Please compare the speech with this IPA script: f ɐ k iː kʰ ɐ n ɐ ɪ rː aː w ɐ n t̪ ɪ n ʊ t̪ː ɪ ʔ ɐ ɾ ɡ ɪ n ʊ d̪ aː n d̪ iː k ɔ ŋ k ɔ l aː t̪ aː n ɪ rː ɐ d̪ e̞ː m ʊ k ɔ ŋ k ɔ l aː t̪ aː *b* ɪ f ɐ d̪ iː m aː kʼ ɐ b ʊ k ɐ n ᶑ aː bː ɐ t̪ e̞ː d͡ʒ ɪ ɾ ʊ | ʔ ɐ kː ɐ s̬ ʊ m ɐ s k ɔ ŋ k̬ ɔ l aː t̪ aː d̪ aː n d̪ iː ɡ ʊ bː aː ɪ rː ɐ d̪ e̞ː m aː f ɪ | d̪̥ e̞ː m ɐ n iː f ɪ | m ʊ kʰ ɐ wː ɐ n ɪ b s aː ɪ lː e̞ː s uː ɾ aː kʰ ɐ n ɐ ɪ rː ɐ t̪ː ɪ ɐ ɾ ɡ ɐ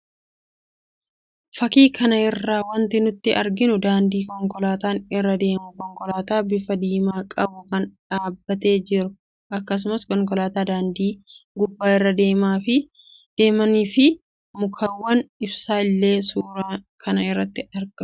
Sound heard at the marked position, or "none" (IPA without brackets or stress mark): b